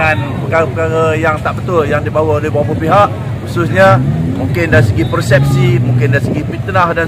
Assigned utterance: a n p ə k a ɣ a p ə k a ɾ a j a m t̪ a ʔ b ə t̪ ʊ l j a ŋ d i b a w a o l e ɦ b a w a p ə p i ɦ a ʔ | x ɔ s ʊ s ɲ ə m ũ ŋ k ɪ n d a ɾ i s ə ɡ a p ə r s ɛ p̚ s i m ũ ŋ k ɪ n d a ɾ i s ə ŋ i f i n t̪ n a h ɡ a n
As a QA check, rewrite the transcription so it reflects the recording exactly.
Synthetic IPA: a n p ə k a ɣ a p ə k a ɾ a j a ŋ t̪ a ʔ b ə t̪ ʊ l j a ŋ d i b a w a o l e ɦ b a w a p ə p i ɦ a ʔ | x u s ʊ s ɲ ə m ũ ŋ k ɪ n d a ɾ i s ə ɡ i p ə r s ɛ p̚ s i m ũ ŋ k ɪ n d a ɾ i s ə ɡ i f i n t̪ n a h d a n

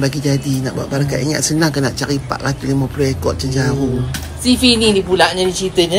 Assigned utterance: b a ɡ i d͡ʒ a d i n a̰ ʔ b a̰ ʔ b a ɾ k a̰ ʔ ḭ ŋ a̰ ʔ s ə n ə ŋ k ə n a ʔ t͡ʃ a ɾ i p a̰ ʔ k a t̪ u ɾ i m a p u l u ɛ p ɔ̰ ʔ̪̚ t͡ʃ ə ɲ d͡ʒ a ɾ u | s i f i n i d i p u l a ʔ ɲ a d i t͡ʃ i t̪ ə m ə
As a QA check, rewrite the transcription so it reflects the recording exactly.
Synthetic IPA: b a ɡ i d͡ʒ a d i n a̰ ʔ b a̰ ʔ b a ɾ k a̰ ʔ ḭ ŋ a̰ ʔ s ə n a ŋ k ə n a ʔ t͡ʃ a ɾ i p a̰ ʔ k a t̪ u l i m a p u l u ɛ k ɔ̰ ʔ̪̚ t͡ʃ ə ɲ d͡ʒ a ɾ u | s i f i n i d i p u l a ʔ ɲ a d i t͡ʃ i t̪ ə ɲ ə

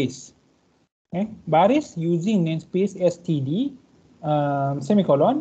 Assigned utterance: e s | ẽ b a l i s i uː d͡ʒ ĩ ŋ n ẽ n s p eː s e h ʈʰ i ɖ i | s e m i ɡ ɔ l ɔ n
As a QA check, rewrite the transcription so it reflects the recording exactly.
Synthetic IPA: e s | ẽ b a ɾ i s j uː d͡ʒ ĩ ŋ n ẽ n s p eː s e s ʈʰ i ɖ i | s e m i k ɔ l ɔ n

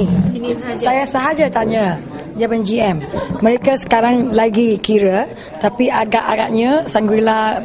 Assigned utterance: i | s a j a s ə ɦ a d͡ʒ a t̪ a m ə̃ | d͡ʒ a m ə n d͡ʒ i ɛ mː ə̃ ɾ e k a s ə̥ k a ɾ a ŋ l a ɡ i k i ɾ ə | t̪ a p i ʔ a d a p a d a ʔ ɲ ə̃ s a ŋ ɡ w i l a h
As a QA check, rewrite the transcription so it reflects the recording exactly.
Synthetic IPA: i | s a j a s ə ɦ a d͡ʒ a t̪ a ɲ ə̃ | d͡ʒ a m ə n d͡ʒ i ɛ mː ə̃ ɾ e k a s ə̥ k a ɾ a ŋ l a ɡ i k i ɾ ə | t̪ a p i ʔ a ɡ a ʔ a ɡ a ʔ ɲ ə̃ s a ŋ ɡ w i l a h

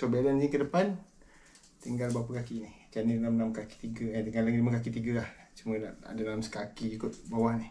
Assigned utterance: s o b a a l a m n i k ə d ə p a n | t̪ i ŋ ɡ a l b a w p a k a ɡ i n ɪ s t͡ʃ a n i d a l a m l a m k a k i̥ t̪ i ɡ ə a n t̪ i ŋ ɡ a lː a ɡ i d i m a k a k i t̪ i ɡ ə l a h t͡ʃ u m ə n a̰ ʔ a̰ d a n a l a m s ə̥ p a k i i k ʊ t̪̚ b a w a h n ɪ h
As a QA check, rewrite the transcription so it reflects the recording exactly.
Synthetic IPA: s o b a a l a n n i k ə d ə p a n | t̪ i ŋ ɡ a l b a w p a k a k i n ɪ h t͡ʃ a n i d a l a m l a m k a k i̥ t̪ i ɡ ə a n t̪ i ŋ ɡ a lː a ɡ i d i m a k a k i t̪ i ɡ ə l a h t͡ʃ u m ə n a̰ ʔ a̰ d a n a l a m s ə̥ k a k i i k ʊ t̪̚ b a w a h n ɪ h

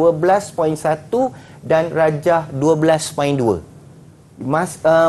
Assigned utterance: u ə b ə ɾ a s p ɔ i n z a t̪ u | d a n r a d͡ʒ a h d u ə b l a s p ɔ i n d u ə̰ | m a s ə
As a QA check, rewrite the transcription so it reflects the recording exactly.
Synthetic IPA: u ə b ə l a s p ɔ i n s a t̪ u | d a n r a d͡ʒ a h d u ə b l a s p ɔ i n d u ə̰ | m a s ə

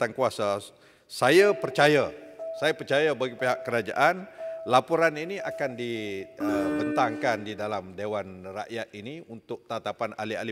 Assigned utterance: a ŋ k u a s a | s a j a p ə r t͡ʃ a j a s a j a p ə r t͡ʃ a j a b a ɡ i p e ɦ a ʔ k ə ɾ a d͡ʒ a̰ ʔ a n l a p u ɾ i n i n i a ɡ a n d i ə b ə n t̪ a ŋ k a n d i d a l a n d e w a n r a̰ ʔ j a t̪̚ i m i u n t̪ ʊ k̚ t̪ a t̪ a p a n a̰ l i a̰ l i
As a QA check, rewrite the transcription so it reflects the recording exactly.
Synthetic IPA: a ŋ k u a s a | s a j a p ə r t͡ʃ a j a s a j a p ə r t͡ʃ a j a b a ɡ i p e ɦ a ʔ k ə ɾ a d͡ʒ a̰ ʔ a n l a p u ɾ a n i n i a k a n d i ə b ə n t̪ a ŋ k a n d i d a l a m d e w a n r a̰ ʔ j a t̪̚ i n i u n t̪ ʊ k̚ t̪ a t̪ a p a n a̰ l i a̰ l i

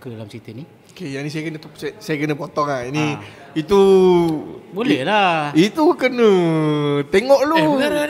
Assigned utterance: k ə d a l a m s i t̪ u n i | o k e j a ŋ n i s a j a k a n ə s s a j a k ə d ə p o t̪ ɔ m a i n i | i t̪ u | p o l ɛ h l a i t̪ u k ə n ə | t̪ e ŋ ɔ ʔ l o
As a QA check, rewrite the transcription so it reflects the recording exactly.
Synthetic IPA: k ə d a l a m s i t̪ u n i | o k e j a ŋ n i s a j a k ə n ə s s a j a k ə n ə p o t̪ ɔ ŋ a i n i | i t̪ u | b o l ɛ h l a i t̪ u k ə n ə | t̪ e ŋ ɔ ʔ l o

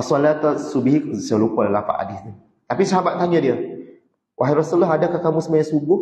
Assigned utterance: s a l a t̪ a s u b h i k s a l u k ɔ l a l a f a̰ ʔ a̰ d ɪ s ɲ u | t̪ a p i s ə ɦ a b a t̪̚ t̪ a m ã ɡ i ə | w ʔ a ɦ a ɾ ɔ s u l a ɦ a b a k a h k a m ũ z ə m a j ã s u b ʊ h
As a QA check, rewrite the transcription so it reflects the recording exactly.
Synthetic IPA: s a l a t̪ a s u b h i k s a l u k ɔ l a l a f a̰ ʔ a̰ d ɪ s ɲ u | t̪ a p i s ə ɦ a b a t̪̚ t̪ a ɲ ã d i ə | w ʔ a ɦ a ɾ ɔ s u l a ɦ a d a k a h k a m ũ s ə m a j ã s u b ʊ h

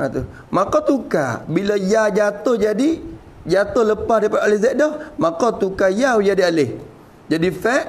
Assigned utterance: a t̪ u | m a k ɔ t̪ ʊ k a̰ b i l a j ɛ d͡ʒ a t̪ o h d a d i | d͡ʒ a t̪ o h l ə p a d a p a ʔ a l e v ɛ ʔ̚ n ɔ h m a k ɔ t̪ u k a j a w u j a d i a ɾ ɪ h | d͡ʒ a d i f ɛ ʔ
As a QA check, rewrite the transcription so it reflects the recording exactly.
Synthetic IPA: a t̪ u | m a k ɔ t̪ u k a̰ b i l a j a d͡ʒ a t̪ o h d͡ʒ a d i | d͡ʒ a t̪ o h l ə p a d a p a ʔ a l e z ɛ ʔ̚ d ɔ h m a k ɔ t̪ u k a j a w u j a d i a l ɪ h | d͡ʒ a d i f ɛ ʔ

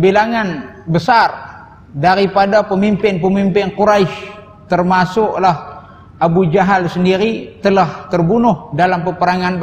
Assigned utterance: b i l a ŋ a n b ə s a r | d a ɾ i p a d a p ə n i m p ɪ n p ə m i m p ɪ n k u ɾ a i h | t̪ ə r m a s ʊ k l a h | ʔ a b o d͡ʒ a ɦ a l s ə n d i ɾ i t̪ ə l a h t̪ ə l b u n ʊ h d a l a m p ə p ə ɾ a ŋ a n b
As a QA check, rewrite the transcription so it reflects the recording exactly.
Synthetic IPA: b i l a ŋ a n b ə s a r | d a ɾ i p a d a p ə m i m p ɪ n p ə m i m p ɪ n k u ɾ a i ʃ | t̪ ə r m a s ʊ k l a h | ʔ a b u d͡ʒ a ɦ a l s ə n d i ɾ i t̪ ə l a h t̪ ə r b u n ʊ h d a l a m p ə p ə ɾ a ŋ a n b

